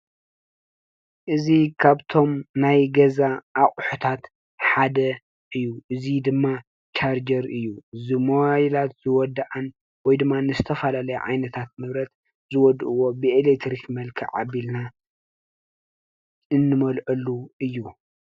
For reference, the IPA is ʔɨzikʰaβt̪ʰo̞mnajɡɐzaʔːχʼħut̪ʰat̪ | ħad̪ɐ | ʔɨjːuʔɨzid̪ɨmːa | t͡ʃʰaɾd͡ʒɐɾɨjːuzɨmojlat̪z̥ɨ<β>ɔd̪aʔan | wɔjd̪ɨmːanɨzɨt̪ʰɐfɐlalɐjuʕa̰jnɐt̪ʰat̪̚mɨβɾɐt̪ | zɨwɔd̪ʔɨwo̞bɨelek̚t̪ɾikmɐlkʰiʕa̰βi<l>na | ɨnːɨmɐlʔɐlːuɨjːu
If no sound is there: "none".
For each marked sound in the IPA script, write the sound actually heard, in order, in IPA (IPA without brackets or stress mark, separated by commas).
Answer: w, l